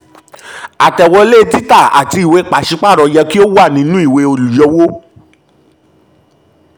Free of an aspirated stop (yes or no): yes